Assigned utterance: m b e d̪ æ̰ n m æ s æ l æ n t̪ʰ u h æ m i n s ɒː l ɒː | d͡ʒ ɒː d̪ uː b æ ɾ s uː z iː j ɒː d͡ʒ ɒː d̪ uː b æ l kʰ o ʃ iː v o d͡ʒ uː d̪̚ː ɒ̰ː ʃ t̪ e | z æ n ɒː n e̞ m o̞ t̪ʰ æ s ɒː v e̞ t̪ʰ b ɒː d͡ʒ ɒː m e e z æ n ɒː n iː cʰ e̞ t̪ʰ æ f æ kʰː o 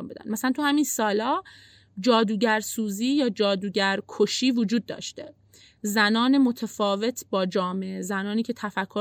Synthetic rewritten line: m b e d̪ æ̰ n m æ s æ l æ n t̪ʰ u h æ m i n s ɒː l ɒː | d͡ʒ ɒː d̪ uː ɟ æ ɾ s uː z iː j ɒː d͡ʒ ɒː d̪ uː ɟ æ ɾ kʰ o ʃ iː v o d͡ʒ uː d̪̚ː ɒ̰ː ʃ t̪ e | z æ n ɒː n e̞ m o̞ t̪ʰ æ f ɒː v e̞ t̪ʰ b ɒː d͡ʒ ɒː m e e z æ n ɒː n iː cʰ e̞ t̪ʰ æ f æ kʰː o